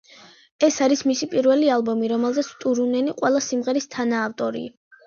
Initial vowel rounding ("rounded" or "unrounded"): unrounded